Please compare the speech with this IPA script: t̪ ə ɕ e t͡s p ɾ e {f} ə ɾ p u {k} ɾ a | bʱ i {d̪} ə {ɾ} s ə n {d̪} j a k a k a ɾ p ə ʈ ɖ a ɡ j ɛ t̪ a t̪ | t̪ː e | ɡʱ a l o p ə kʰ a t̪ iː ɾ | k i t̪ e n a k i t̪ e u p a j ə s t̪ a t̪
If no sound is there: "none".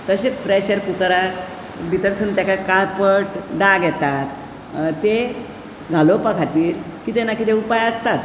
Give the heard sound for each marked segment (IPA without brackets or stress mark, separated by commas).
ɕ, k, t̪, ɾ, t̪